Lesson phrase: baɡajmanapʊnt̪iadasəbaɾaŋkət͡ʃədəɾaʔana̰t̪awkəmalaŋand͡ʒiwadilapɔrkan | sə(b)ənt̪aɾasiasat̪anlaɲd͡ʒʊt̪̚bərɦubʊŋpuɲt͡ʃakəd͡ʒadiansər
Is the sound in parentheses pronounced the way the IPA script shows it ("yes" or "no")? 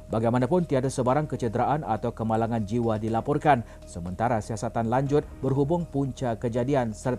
no